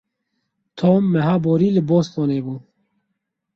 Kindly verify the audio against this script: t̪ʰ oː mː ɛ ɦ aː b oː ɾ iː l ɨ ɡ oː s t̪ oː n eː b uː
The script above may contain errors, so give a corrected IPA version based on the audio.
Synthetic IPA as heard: t̪ʰ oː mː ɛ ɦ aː b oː ɾ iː l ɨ b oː s t̪ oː n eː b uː

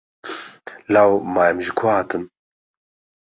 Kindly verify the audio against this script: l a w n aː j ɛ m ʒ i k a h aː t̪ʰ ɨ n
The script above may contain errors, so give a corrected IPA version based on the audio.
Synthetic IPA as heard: l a w m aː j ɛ m ʒ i kʰ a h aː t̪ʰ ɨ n

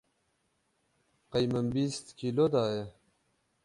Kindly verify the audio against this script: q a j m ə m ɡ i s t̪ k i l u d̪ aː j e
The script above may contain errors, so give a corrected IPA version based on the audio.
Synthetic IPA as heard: q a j m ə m b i s t̪ k i l o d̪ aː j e

